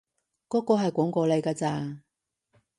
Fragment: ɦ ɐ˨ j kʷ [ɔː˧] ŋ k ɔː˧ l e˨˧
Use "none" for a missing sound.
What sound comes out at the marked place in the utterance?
ɔː˨˥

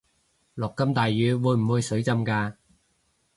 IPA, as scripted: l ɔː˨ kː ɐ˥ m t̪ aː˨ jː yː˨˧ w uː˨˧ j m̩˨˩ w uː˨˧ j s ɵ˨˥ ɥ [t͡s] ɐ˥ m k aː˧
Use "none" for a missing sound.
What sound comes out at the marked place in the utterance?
t͡s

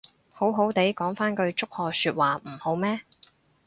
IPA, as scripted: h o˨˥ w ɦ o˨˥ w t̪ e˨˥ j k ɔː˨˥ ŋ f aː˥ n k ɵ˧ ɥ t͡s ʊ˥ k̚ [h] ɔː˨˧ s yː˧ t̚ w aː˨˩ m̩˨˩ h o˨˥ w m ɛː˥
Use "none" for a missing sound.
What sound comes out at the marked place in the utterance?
h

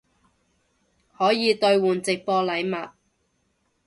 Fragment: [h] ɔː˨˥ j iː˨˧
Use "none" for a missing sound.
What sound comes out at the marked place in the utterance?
h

